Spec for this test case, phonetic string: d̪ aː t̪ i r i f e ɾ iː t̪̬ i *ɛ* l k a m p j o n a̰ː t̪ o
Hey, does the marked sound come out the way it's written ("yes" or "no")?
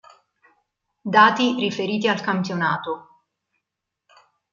no